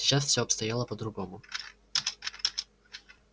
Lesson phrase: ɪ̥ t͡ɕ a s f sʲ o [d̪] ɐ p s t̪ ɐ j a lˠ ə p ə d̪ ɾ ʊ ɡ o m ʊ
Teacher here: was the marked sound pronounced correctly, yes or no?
no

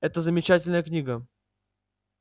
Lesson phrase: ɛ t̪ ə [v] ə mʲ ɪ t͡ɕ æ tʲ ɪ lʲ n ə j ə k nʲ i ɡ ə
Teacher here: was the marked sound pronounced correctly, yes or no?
no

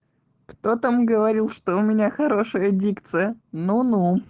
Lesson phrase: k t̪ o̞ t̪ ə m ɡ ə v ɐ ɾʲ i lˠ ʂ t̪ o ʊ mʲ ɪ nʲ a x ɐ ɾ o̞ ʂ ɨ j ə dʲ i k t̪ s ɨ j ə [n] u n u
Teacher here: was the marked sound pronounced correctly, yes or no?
yes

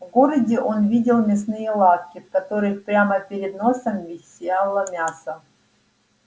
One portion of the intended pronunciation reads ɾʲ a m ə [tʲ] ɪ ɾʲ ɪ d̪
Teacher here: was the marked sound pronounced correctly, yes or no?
no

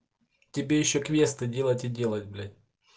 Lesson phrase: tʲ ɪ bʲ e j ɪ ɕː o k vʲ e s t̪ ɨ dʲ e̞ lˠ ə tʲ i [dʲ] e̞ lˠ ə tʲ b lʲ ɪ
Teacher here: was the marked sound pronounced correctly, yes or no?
yes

